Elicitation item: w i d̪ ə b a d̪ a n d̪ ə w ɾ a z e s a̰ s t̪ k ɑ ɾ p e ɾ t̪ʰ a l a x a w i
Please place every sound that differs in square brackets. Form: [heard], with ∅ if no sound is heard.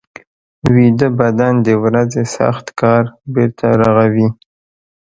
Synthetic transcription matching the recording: w i d̪ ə b a d̪ a n d̪ ə w ɾ a z e s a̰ [x] t̪ k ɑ ɾ [b] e ɾ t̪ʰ a [ɾ] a [ɣ] a w i